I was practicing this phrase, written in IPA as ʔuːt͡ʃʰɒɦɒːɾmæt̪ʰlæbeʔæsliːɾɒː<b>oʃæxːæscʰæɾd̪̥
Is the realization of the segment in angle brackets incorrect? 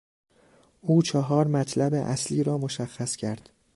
yes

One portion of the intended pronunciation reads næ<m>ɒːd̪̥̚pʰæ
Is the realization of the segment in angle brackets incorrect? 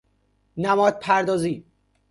no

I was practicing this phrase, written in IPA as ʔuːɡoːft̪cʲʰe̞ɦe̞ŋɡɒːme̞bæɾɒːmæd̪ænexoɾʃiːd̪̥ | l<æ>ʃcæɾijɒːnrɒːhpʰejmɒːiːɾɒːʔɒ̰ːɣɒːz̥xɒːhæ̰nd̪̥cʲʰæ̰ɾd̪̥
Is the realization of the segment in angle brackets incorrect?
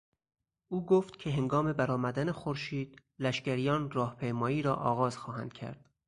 no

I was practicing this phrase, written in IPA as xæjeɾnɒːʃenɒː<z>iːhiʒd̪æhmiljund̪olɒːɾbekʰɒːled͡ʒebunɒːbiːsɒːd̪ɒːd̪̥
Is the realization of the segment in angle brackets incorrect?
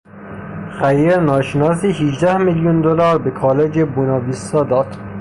yes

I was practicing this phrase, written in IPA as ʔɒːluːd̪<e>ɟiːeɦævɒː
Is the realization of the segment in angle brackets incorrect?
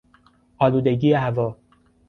no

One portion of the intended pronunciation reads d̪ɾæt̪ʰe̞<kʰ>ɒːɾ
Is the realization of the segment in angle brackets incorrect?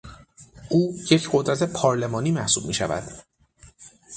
yes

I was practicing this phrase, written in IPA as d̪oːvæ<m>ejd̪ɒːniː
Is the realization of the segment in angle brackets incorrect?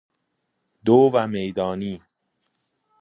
no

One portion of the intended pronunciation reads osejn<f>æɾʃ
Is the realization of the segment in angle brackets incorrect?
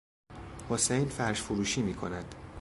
no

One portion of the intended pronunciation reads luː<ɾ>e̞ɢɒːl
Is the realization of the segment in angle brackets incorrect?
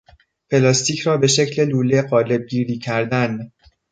yes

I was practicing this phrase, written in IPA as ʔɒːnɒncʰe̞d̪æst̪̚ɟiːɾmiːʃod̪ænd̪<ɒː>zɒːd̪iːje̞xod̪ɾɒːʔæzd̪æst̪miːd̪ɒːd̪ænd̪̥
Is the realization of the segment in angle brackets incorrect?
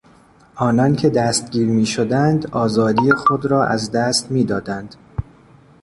no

